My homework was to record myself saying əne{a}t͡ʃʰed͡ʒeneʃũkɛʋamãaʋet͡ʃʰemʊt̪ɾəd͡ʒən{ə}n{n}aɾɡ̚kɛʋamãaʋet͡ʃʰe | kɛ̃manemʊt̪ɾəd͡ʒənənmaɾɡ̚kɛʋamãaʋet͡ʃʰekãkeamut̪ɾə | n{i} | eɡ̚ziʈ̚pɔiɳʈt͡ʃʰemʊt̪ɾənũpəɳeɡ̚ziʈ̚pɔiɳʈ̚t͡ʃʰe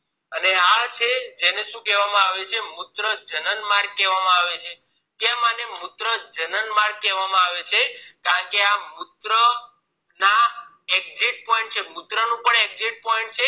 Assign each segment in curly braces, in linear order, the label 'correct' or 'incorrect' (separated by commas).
correct, correct, incorrect, incorrect